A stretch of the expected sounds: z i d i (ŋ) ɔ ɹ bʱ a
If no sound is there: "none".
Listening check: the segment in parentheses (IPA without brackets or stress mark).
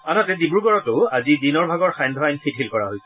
n